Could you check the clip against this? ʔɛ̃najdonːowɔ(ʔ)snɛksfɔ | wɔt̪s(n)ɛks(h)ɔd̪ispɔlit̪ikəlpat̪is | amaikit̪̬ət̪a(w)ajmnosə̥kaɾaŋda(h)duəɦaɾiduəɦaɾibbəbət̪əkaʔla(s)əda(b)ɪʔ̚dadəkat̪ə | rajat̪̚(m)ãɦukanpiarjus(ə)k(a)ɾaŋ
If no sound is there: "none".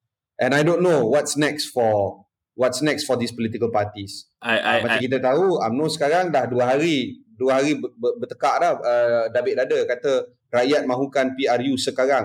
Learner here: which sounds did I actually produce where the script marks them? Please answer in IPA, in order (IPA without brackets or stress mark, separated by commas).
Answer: t, n, f, u, h, h, b, m, ə, a